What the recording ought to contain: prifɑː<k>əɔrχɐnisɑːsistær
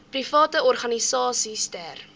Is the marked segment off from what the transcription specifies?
yes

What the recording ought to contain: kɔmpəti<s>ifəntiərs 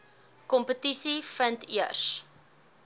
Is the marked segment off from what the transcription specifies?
no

